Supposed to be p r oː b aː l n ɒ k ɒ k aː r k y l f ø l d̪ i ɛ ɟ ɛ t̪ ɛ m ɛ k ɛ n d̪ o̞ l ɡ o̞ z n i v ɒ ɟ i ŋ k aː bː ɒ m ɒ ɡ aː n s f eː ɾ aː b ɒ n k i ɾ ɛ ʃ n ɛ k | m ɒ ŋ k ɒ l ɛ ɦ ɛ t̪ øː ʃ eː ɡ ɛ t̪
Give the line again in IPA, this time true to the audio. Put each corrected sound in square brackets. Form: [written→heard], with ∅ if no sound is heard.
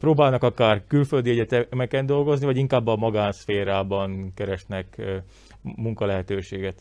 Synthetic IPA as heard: p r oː b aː l n ɒ k ɒ k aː r k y l f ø l d̪ i ɛ ɟ ɛ t̪ ɛ m ɛ k ɛ n d̪ o̞ l ɡ o̞ z n i v ɒ ɟ i ŋ k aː bː ɒ m ɒ ɡ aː n s f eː ɾ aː b ɒ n k [i→ɛ] ɾ ɛ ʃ n ɛ k | m [ɒ→u] ŋ k ɒ l ɛ ɦ ɛ t̪ øː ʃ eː ɡ ɛ t̪